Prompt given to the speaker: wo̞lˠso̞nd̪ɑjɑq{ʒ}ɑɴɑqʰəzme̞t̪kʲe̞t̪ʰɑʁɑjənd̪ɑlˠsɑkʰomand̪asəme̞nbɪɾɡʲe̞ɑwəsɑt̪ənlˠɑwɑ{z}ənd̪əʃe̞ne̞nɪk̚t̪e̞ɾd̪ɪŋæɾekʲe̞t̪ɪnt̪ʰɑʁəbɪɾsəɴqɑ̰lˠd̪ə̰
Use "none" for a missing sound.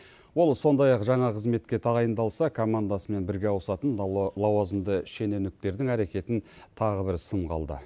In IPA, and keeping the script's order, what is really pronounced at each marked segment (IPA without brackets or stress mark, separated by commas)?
ʒ, z